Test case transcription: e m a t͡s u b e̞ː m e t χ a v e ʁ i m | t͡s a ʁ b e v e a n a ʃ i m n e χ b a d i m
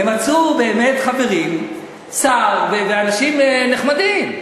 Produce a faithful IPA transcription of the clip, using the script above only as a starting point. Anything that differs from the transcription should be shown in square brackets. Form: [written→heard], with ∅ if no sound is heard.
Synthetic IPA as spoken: e m a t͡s u b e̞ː m e t χ a v e ʁ i m | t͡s a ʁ [b→v] e v e a n a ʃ i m n e χ [b→m] a d i m

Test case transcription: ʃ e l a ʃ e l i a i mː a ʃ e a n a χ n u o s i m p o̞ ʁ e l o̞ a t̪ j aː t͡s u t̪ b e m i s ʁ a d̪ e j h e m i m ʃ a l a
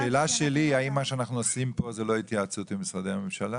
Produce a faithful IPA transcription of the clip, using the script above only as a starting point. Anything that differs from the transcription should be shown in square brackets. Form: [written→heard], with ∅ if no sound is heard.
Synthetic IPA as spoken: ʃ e l a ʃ e l i a i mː a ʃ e a n a χ n u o s i m p o̞ [ʁ→z] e l o̞ [a→i] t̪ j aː t͡s u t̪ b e m i s ʁ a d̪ e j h [e→a] m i m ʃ a l a

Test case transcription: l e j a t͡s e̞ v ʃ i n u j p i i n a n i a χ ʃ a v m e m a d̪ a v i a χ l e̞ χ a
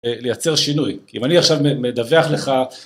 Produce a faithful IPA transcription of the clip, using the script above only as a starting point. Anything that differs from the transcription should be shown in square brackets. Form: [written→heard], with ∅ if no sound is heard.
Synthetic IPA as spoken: l e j a t͡s e̞ [v→ʁ] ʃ i n u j [p→k] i i [n→m] a n i a χ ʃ a v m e m [a→e] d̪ a v [i→e] a χ l e̞ χ a

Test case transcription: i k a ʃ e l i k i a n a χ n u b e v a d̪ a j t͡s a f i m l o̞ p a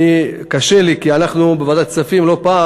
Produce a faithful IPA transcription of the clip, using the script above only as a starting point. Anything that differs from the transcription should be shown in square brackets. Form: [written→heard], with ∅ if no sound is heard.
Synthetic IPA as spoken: i k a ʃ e l i k i a n a χ n u b e v a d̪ a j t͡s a f i m l o̞ p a

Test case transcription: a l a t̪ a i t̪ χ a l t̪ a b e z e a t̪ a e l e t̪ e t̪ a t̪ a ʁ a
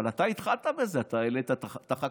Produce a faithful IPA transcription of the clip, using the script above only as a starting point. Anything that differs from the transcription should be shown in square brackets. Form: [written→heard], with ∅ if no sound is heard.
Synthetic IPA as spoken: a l a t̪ a i t̪ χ a l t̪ a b e z e a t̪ a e l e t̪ [e→a] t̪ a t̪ a [ʁ→χ] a

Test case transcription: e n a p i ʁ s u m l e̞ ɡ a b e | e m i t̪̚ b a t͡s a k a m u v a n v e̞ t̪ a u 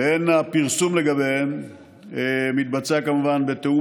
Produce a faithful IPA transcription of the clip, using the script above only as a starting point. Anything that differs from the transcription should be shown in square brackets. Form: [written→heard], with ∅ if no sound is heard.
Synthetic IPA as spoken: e n a p i ʁ s u m l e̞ ɡ a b e | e m i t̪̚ b a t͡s a k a m u v a n [v→b] e̞ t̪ [a→e] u

